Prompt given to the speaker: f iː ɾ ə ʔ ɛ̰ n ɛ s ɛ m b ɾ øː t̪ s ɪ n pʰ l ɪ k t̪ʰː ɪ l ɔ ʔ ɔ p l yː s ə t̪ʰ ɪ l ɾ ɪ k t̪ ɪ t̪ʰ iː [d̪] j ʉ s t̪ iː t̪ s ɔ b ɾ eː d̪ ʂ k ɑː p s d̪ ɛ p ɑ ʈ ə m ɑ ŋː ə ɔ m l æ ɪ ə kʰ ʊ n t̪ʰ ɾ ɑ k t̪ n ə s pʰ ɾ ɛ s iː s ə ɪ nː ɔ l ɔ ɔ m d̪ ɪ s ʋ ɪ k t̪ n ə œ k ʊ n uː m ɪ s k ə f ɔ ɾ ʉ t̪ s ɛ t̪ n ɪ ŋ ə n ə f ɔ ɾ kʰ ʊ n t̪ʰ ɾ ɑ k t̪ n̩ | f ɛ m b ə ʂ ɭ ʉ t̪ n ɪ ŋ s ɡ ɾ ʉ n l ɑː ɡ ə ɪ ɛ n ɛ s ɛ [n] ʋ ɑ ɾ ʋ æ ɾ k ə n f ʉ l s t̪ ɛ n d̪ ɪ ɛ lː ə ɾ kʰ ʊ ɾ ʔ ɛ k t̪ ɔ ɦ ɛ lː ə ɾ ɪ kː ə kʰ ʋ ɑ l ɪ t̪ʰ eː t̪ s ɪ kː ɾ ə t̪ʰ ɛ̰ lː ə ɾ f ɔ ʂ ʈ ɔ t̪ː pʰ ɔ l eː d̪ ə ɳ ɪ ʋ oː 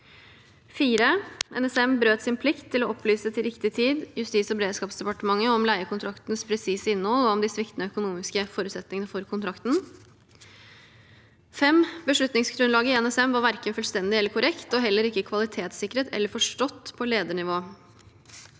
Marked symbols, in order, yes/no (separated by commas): yes, no